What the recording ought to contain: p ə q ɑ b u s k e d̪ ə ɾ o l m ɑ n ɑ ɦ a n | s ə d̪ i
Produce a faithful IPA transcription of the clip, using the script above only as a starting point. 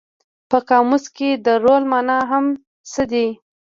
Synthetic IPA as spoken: p ə k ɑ m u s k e d̪ ə ɾ o l m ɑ n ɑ ɦ a m | s ə d̪ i